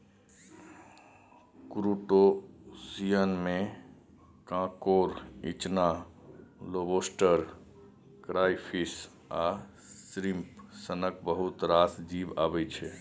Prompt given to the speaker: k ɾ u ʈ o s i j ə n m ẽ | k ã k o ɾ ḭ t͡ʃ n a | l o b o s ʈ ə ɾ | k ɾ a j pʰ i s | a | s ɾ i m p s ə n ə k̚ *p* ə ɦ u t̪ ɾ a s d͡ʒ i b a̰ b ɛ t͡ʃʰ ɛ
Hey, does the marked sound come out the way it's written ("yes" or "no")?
no